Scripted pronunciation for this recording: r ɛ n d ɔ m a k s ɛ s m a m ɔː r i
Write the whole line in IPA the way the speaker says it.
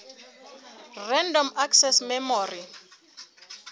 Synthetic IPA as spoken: r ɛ n d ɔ m a k s ɛ s m ɛ m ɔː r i